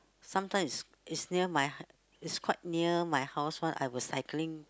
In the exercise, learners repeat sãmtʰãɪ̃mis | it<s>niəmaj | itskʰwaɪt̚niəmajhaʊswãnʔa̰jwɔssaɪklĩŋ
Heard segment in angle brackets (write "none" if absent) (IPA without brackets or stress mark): s